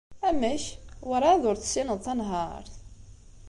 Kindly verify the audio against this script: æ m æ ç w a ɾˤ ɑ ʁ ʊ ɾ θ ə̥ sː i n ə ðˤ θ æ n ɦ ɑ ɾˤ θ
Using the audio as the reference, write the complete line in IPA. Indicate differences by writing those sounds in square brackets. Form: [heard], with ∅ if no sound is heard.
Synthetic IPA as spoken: æ m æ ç w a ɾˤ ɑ [ð] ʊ ɾ θ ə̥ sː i n ə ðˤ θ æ n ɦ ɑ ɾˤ θ